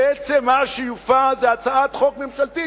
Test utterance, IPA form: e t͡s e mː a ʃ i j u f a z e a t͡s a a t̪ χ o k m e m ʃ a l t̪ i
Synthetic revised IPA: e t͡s e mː a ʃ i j u f a z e a t͡s a a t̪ χ o k m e m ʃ a l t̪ i